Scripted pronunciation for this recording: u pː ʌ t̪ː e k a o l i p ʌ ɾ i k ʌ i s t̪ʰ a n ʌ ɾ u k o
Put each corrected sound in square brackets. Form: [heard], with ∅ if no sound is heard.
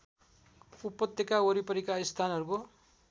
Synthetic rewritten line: u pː ʌ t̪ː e k a o [ɾ] i p ʌ ɾ i k [a] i s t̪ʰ a n ʌ ɾ u k o

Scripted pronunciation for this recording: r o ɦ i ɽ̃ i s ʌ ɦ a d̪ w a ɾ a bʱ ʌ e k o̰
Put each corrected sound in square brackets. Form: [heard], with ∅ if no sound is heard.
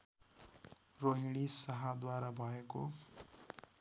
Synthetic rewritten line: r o ɦ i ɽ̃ i s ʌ ɦ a d̪ w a ɾ a bʱ ʌ e k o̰

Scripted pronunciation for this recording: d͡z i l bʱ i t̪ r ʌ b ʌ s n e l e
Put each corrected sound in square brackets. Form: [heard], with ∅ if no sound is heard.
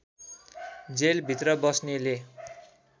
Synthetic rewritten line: d͡z [e] l bʱ i t̪ r ʌ b ʌ s n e l e

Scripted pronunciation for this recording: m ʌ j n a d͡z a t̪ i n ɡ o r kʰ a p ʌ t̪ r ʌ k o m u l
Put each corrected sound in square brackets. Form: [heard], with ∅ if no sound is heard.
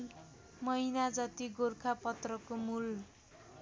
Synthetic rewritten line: m ʌ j n a d͡z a t̪ i [∅] ɡ o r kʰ a p ʌ t̪ r ʌ k o m u l

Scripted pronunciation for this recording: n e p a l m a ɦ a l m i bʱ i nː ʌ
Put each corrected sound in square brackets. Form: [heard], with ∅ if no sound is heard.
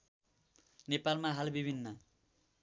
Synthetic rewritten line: n e p a l m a ɦ a l [b] i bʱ i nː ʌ

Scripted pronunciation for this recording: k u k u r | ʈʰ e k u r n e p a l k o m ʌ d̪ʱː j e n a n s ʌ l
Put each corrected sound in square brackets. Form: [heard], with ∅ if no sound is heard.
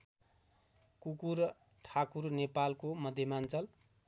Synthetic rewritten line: k u k u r | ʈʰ [a] k u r n e p a l k o m ʌ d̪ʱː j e [m] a n [t͡s] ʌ l

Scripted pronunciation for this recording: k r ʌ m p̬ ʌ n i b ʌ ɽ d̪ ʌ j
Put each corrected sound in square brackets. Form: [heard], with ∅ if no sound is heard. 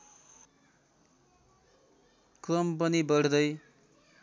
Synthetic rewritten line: k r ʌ m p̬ ʌ n i b ʌ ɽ d̪ ʌ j

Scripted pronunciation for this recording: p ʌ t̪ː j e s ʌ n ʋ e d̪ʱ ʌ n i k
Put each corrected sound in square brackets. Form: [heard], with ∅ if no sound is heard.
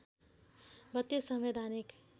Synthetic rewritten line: [b] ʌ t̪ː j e s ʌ [m] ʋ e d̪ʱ [a] n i k

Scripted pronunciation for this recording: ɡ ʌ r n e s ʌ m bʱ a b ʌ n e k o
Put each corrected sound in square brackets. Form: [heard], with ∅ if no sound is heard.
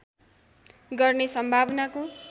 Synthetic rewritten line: ɡ ʌ r n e s ʌ m bʱ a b ʌ n [a] k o

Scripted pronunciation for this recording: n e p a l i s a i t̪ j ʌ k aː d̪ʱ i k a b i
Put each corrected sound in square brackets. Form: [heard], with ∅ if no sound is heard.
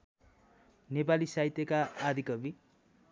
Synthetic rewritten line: n e p a l i s a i t̪ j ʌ k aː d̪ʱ i k [ʌ] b i

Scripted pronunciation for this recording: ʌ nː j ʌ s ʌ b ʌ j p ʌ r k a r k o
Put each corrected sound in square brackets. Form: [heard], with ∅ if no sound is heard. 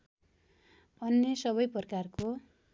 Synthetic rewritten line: ʌ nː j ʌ s ʌ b ʌ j p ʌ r k a r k o

